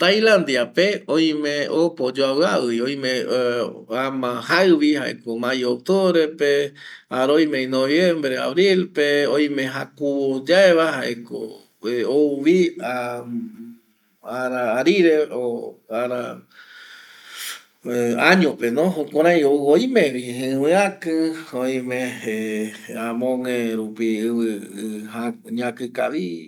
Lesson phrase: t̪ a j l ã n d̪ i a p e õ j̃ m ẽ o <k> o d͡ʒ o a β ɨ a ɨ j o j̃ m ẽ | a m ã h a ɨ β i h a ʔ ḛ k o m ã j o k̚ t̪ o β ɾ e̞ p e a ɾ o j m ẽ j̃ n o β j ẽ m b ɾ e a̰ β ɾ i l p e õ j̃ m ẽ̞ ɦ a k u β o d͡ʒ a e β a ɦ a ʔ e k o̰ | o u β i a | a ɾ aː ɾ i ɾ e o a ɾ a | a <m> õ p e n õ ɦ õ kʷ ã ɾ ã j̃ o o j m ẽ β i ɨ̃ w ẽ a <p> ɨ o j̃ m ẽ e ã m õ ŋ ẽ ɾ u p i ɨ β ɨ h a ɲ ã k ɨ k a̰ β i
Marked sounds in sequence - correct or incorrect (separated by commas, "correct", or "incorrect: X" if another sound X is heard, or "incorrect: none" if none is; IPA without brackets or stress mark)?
incorrect: p, incorrect: ɲ, incorrect: k